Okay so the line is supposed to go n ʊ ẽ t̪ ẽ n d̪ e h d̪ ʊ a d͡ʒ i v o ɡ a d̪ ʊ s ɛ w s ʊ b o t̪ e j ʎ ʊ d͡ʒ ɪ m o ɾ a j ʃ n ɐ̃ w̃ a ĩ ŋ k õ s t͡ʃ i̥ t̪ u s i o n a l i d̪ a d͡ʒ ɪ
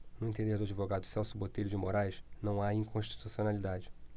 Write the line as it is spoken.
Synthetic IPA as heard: n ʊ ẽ t̪ ẽ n d̪ e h d̪ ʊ a d͡ʒ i v o ɡ a d̪ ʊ s ɛ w s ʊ b o t̪ e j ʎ ʊ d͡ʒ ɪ m o ɾ a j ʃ n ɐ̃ w̃ a ĩ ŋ k õ ʃ t͡ʃ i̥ t̪ u s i o n a l i d̪ a d͡ʒ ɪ